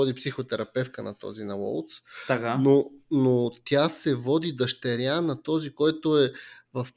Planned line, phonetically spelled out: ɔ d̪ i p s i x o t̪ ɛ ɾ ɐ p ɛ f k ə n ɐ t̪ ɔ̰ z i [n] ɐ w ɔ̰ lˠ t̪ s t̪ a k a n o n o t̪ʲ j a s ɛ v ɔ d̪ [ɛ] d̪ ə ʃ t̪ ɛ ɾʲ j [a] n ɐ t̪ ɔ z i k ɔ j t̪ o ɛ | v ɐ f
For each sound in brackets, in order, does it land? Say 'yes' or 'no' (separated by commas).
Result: yes, no, yes